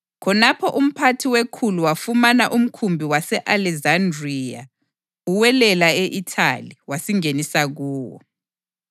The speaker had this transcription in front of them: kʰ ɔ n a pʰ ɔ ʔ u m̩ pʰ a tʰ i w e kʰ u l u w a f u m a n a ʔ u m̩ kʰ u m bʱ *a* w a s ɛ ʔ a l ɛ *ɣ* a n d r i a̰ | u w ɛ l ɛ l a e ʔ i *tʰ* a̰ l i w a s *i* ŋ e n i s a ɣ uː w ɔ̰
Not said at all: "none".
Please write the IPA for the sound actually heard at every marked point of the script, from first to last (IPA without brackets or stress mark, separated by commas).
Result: i, z, tʰ, i